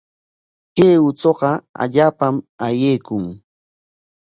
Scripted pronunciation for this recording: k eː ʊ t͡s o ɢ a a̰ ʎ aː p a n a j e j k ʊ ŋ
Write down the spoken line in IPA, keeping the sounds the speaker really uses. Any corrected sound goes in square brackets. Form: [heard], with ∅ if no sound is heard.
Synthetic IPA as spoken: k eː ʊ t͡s o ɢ [ɑ] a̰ ʎ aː p a [m] a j e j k ʊ ŋ